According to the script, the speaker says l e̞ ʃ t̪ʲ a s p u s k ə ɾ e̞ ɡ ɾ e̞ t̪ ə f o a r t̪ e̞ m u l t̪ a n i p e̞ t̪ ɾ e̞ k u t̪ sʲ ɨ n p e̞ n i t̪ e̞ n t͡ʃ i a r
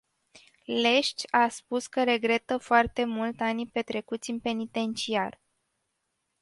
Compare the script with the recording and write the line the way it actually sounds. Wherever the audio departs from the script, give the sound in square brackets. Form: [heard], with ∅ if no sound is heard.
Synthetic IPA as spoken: l e̞ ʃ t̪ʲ a s p u s k ə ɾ e̞ ɡ ɾ e̞ t̪ ə f o a r t̪ e̞ m u l t̪ a n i p e̞ t̪ ɾ e̞ k u t̪ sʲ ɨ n p e̞ n i t̪ e̞ n t͡ʃ i a r

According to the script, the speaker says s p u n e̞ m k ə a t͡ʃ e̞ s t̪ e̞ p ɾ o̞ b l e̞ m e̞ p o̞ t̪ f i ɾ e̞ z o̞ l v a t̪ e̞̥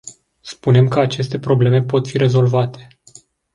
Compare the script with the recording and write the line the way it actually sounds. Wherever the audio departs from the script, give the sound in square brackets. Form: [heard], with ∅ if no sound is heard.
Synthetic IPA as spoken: s p u n e̞ m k ə a t͡ʃ e̞ s t̪ e̞ p ɾ o̞ b l e̞ m e̞ p o̞ t̪ f i ɾ e̞ z o̞ l v a t̪ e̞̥

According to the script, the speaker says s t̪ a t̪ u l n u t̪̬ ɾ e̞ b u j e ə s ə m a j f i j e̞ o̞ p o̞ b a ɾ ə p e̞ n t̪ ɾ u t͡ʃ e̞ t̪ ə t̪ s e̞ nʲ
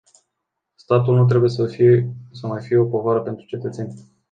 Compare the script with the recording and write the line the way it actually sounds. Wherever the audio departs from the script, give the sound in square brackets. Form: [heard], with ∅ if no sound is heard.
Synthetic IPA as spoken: s t̪ a t̪ u l n u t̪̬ ɾ e̞ b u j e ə s ə m a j f i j e̞ o̞ p o̞ [v] a ɾ ə p e̞ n t̪ ɾ u t͡ʃ e̞ t̪ ə t̪ s e̞ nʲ

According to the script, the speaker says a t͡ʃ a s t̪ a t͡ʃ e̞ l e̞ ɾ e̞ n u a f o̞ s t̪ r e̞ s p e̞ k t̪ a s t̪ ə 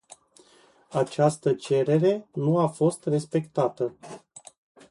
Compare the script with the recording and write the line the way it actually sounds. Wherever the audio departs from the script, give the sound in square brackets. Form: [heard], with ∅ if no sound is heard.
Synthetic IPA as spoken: a t͡ʃ a s t̪ [ə] t͡ʃ e̞ [ɾ] e̞ ɾ e̞ n u a f o̞ s t̪ r e̞ s p e̞ k t̪ a [∅] t̪ ə

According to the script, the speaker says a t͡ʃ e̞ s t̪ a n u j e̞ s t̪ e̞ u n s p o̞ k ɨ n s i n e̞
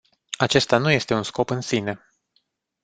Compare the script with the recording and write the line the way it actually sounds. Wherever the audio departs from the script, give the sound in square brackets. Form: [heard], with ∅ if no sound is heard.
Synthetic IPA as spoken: a t͡ʃ e̞ s t̪ a n u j e̞ s t̪ e̞ u n s [k] o̞ [p] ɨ n s i n e̞

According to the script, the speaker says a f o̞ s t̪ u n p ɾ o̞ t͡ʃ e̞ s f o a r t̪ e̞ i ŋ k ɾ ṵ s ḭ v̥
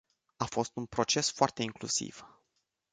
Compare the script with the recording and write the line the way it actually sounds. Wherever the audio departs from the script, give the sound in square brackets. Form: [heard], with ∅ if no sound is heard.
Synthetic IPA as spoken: a f o̞ s t̪ u n p ɾ o̞ t͡ʃ e̞ s f o a r t̪ e̞ i ŋ k [l] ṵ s ḭ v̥

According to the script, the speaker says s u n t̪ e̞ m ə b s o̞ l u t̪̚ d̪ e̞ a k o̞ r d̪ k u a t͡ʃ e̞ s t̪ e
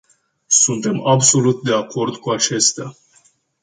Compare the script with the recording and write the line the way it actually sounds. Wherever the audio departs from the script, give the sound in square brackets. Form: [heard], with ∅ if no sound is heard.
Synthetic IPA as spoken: s u n t̪ e̞ m [a] b s o̞ l u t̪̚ d̪ e̞ a k o̞ r d̪ k u a t͡ʃ e̞ s t̪ [a]

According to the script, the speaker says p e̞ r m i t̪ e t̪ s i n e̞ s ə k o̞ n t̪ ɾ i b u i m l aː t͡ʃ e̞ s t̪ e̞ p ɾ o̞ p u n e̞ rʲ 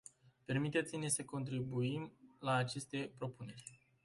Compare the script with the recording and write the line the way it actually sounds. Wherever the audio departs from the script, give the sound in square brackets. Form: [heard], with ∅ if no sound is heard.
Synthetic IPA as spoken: p e̞ r m i t̪ e t̪ s i n e̞ s ə k o̞ n t̪ ɾ i b u i m l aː t͡ʃ e̞ s t̪ e̞ p ɾ o̞ p u n e̞ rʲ

